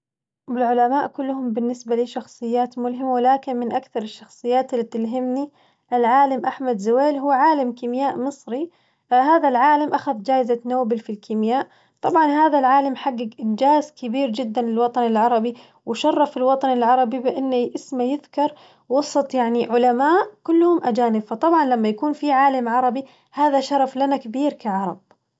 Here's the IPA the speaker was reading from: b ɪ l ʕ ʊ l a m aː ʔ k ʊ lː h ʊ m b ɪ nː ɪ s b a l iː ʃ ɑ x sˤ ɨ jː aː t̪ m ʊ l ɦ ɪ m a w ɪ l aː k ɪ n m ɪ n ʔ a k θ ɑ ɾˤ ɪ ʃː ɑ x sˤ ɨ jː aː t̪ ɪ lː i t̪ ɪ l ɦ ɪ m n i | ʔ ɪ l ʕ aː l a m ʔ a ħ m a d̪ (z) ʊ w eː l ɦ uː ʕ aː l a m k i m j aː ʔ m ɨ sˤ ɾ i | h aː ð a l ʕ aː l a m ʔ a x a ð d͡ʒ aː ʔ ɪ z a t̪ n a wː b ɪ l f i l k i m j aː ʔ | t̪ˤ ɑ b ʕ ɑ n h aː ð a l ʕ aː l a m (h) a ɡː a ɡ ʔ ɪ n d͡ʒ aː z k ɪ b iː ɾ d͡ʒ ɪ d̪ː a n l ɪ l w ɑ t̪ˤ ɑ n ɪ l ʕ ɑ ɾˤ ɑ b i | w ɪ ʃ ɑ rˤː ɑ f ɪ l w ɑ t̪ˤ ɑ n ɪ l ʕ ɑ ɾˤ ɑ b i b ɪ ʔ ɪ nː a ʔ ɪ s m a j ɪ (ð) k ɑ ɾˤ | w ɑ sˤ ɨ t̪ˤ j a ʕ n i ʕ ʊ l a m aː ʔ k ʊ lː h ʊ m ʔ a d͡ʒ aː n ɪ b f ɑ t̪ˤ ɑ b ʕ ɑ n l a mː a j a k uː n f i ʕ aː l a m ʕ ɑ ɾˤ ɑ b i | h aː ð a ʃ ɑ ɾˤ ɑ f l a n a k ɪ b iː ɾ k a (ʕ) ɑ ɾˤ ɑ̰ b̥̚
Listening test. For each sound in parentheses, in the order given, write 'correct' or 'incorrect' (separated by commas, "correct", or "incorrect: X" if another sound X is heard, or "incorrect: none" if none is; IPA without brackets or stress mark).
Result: correct, incorrect: ħ, correct, correct